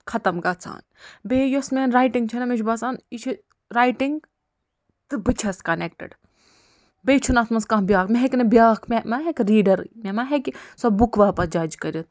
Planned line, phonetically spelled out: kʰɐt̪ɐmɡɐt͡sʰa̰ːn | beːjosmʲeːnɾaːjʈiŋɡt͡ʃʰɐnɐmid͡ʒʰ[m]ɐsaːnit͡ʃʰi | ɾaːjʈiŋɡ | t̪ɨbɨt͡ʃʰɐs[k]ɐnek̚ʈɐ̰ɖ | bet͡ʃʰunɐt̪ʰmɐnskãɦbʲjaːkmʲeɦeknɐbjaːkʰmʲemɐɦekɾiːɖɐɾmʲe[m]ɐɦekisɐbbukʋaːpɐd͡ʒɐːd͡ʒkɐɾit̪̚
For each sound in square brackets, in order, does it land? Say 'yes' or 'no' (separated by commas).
no, yes, yes